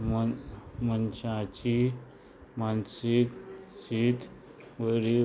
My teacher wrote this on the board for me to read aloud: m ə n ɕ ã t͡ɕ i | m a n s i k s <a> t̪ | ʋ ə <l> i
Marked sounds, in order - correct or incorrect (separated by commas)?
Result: incorrect, incorrect